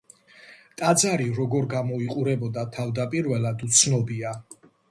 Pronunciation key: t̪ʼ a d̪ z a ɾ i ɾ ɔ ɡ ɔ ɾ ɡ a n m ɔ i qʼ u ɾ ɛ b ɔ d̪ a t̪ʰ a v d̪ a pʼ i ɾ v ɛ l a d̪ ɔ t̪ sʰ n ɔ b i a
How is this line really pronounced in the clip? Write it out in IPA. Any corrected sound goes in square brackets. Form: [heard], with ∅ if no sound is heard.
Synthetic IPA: t̪ʼ a d̪ z a ɾ i ɾ ɔ ɡ ɔ ɾ ɡ a [∅] m ɔ i qʼ u ɾ ɛ b ɔ d̪ a t̪ʰ a v d̪ a pʼ i ɾ v ɛ l a d̪ [u] t̪ sʰ n ɔ b i a